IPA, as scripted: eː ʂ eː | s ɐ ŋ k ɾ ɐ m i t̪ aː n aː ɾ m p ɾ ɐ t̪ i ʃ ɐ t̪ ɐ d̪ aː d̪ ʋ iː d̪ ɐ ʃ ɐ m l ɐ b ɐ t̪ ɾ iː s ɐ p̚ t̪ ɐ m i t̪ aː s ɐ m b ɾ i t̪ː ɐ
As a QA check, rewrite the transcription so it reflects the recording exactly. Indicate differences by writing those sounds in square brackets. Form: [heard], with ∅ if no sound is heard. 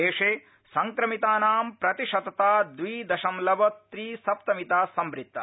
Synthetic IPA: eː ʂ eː | s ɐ ŋ k ɾ ɐ m i t̪ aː n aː [∅] m p ɾ ɐ t̪ i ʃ ɐ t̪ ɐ [t̪] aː d̪ ʋ iː d̪ ɐ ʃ ɐ m l ɐ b ɐ t̪ ɾ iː s ɐ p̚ t̪ ɐ m i t̪ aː s ɐ m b ɾ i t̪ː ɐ